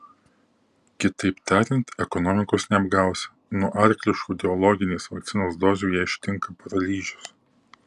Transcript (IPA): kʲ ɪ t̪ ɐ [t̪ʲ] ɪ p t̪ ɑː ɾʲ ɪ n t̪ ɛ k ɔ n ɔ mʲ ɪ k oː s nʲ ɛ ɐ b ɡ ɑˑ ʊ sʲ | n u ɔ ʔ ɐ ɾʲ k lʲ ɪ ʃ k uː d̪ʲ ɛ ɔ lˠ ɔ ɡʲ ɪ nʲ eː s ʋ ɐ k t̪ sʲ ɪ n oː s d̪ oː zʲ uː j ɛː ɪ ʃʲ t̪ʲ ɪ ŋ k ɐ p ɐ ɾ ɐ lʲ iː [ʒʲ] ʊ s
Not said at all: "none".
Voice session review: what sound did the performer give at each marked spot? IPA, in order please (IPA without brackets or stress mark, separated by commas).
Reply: none, ʒʲ